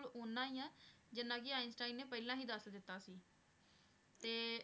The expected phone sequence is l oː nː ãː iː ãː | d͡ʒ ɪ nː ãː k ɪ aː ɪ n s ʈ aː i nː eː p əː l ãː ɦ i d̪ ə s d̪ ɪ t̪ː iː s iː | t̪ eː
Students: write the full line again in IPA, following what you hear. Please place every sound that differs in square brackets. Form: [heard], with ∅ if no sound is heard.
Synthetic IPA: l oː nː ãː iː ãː | d͡ʒ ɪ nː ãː k ɪ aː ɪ n s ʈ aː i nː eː p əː l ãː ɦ [iː] d̪ ə s d̪ ɪ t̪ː [aː] s iː | t̪ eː